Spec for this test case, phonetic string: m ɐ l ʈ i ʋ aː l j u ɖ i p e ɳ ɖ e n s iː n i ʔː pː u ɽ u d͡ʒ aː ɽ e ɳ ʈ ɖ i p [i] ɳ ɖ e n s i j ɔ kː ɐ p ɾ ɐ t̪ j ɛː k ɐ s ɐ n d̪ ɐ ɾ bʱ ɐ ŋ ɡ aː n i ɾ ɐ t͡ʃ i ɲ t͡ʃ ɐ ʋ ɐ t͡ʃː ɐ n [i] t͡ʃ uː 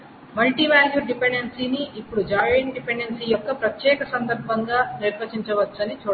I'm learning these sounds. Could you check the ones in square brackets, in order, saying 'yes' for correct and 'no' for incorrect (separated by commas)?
no, yes